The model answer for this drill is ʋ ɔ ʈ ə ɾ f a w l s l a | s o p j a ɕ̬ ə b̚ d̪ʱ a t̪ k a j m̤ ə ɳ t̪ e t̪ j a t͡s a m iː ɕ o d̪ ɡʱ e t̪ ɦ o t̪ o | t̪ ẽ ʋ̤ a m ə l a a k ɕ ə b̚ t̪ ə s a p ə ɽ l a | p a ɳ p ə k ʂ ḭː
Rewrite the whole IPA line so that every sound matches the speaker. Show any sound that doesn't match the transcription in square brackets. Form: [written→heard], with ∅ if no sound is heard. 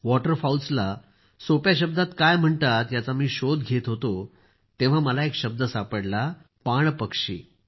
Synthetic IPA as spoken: ʋ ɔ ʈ ə ɾ f a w l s l a | s o p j a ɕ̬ ə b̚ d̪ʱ a t̪ k a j m̤ ə ɳ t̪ [e→a] t̪ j a t͡s a m iː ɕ o d̪ ɡʱ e t̪ ɦ o t̪ o | t̪ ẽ ʋ̤ a m ə l a [a→e] k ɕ ə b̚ [t̪→d̪] ə s a p ə ɽ l a | p a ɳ p ə k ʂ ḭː